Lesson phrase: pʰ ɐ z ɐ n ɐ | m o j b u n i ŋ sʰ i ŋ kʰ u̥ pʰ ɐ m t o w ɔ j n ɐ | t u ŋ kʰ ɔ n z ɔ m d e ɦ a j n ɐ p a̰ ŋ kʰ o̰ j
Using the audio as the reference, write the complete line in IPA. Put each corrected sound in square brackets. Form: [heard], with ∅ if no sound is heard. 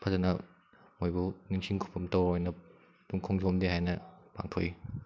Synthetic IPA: pʰ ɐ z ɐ n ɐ | m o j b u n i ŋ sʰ i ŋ kʰ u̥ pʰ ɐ m t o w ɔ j n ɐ | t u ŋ kʰ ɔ [ŋ] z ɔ m d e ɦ a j n ɐ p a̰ ŋ [tʰ] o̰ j